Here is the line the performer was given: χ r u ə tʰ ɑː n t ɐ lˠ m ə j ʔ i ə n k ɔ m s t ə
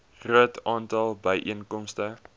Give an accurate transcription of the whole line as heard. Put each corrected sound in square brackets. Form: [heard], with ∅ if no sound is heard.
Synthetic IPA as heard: χ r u ə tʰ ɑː n t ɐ lˠ [b] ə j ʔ i ə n k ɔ m s t ə